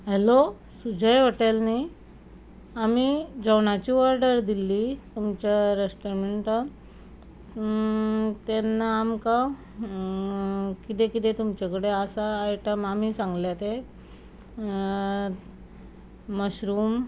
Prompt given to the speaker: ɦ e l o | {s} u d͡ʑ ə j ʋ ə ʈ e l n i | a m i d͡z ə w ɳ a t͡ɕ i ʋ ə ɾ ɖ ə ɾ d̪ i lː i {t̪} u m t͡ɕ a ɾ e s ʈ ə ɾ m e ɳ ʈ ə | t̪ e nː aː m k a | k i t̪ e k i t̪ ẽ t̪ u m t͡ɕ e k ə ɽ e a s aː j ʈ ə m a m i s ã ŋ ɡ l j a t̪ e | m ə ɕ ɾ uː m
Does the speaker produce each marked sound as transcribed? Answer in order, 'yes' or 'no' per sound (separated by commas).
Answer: yes, yes